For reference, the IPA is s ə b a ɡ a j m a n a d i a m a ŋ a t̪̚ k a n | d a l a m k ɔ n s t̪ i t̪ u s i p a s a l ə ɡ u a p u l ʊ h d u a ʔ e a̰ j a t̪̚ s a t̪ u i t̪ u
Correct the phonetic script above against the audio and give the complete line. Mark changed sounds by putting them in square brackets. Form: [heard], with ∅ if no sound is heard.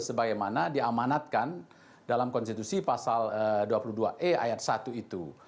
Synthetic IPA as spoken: s ə b a ɡ a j m a n a d i a m a [n] a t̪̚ k a n | d a l a m k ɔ n s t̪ i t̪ u s i p a s a l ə [d] u a p u l [u] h d u a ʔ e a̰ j a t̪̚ s a t̪ u i t̪ u

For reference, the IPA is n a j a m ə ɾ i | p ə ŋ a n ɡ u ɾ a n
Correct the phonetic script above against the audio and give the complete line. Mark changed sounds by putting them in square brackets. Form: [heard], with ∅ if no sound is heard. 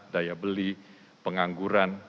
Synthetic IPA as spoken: [d] a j a [b] ə [l] i | p ə ŋ a [ŋ] ɡ u ɾ a n

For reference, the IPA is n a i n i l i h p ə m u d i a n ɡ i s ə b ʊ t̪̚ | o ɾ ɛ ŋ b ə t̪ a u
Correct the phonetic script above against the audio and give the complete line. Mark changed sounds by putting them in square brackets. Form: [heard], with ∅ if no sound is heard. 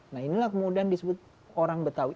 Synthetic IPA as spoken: n a i n i l [a] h [k] ə m u d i a n [d] i s ə b ʊ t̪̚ | o ɾ [a] ŋ b ə t̪ a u

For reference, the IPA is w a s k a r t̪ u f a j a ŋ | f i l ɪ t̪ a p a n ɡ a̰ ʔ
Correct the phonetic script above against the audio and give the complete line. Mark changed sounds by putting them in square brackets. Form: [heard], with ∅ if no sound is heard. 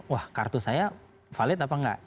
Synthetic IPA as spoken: w a [h] k a r t̪ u [s] a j a [∅] | f [a] l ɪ t̪ a p a [ŋ] ɡ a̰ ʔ

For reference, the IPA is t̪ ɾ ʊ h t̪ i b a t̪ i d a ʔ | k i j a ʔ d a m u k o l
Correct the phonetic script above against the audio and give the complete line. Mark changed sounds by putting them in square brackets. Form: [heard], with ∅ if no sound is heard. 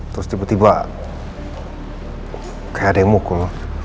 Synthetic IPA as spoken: t̪ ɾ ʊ [s] t̪ i b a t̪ i [b] a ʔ | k [a] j a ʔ d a m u k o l

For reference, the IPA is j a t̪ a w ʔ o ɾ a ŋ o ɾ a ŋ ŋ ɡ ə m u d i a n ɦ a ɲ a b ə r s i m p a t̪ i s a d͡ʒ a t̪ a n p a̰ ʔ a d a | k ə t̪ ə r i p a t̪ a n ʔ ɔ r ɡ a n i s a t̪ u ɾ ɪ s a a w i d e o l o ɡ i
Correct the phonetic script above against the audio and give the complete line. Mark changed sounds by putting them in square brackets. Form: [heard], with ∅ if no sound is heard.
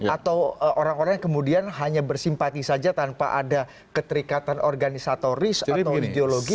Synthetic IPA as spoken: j a t̪ a w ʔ o ɾ a ŋ o ɾ a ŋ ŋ [k] ə m u d i a n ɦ a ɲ a b ə r s i m p a t̪ i s a d͡ʒ a t̪ a n p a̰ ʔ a d a | k ə t̪ ə [ɾ] i [k] a t̪ a n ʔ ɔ r ɡ a n i s a t̪ [o] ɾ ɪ s a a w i d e o l o ɡ i

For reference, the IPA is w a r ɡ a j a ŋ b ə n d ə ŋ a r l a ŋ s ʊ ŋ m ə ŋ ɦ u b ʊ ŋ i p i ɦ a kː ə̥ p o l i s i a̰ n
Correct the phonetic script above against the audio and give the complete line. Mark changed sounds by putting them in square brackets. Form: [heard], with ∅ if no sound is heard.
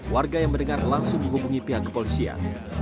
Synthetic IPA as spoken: w a r ɡ a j a ŋ [m] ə n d ə ŋ a r l a ŋ s ʊ ŋ m ə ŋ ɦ u b [u] ŋ i p i ɦ a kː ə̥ p o l i s i a̰ n

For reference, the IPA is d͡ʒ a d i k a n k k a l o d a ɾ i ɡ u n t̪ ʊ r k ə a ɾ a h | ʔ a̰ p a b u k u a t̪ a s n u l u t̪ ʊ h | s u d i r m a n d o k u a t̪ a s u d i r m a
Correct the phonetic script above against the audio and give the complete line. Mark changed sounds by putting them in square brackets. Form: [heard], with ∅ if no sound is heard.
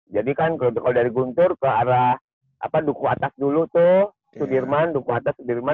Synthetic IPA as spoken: d͡ʒ a d i k a n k k a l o d a ɾ i ɡ u n t̪ ʊ r k ə a ɾ a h | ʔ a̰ p a [d] u k u a t̪ a s [d] u l u t̪ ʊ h | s u d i r m a n d [u] k u a t̪ a s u d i r m a

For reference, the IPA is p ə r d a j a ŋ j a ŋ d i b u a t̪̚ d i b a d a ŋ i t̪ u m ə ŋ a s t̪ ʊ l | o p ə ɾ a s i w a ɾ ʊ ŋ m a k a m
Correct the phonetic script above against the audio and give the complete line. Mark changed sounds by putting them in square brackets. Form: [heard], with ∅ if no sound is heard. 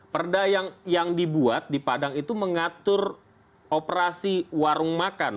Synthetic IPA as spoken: p ə r d a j a ŋ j a ŋ d i b u a t̪̚ d i [p] a d a ŋ i t̪ u m ə ŋ a [∅] t̪ ʊ [r] | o p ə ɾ a s i w a ɾ ʊ ŋ m a k a [n]

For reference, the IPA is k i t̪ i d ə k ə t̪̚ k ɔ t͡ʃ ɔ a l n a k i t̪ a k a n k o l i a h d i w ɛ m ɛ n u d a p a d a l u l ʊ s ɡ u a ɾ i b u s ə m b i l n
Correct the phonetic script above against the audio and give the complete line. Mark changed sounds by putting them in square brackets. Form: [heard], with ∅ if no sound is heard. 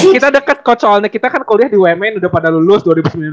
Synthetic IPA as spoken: k i t̪ [a] d ə k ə t̪̚ k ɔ t͡ʃ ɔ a l [ɲ] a k i t̪ a k a n k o l i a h d i w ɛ m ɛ n u d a p a d a l u l ʊ s [d] u a ɾ i b u s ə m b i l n

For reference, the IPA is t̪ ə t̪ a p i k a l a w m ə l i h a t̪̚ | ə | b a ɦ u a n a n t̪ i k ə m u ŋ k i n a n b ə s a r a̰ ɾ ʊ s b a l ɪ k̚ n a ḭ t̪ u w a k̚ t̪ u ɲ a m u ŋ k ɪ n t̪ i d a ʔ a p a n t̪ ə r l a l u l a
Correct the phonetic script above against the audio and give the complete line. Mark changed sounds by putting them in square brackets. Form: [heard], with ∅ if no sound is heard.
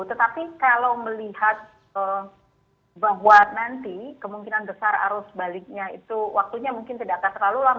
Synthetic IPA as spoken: t̪ ə t̪ a p i k a l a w m ə l i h a t̪̚ | ə | b a ɦ [w] a n a n t̪ i k ə m u ŋ k i n a n b ə s a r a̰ ɾ ʊ s b a l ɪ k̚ [ɲ] a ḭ t̪ u w a k̚ t̪ u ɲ a m u ŋ k ɪ n t̪ i d a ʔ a [k] a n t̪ ə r l a l u l a

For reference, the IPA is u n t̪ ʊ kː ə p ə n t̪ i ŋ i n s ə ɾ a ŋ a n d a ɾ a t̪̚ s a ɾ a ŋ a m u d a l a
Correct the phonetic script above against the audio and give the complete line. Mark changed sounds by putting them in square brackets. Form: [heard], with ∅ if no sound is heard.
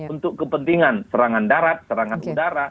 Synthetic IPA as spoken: u n t̪ ʊ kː ə p ə n t̪ i ŋ [a] n s ə ɾ a ŋ a n d a ɾ a t̪̚ s [ə] ɾ a ŋ a [n] u d a [ɾ] a

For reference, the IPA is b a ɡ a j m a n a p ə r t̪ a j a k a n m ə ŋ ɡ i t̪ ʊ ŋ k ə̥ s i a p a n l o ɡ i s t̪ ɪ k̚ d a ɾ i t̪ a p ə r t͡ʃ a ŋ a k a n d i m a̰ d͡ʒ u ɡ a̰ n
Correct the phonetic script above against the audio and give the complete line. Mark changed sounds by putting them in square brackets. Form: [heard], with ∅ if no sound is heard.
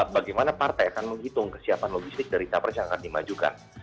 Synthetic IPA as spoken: b a ɡ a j m a n a p [a] r t̪ a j a k a n m ə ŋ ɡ i t̪ ʊ ŋ k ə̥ s i a p a n l o ɡ i s t̪ ɪ k̚ d a ɾ i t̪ a p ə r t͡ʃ a ŋ a k a n d i m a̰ d͡ʒ u [k] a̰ n

